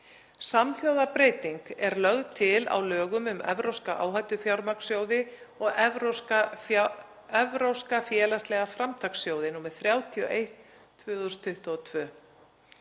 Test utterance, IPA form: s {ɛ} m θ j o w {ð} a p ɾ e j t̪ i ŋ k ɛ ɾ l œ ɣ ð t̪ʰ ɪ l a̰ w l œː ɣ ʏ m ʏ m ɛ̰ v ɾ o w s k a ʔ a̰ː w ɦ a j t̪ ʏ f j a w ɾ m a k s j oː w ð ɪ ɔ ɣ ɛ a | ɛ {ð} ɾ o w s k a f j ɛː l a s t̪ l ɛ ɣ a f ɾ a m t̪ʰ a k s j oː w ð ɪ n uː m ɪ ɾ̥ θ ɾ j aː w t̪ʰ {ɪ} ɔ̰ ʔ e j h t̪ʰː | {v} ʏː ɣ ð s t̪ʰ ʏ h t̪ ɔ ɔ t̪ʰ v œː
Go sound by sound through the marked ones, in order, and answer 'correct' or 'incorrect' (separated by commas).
incorrect, correct, incorrect, incorrect, correct